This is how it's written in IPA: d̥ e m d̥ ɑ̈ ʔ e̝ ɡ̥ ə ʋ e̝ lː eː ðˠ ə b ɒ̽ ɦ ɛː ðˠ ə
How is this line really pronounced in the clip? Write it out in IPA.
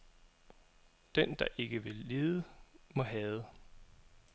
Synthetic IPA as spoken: d̥ e n d̥ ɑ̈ ʔ e̝ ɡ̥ ə ʋ e̝ lː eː ðˠ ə m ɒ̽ ɦ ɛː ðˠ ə